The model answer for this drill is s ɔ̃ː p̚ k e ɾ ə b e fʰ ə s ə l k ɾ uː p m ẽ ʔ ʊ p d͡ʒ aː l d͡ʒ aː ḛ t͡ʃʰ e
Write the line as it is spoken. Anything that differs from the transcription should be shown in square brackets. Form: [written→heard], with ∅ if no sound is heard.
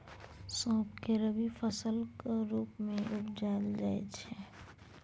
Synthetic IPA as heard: s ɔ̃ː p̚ k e ɾ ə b [e→i] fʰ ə s ə l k ɾ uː p m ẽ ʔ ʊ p d͡ʒ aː l d͡ʒ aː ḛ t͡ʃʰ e